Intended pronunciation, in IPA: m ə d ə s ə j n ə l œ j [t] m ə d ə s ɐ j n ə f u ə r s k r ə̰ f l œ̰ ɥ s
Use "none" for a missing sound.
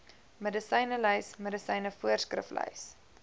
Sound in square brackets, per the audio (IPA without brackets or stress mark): s